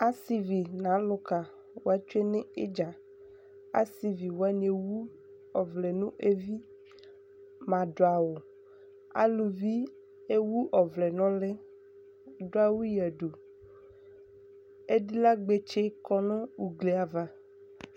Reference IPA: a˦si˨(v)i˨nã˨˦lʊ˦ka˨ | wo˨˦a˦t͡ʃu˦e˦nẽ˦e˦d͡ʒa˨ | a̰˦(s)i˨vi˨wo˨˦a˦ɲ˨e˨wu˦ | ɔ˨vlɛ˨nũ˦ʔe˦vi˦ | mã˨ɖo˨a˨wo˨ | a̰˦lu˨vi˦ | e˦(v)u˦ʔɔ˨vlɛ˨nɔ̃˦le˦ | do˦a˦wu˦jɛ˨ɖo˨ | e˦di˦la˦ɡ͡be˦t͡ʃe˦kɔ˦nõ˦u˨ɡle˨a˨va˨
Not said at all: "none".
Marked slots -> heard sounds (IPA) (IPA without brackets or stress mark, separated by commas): v, s, w